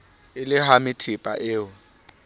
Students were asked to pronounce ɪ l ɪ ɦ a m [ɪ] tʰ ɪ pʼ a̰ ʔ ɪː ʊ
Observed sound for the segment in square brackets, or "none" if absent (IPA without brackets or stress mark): ɪ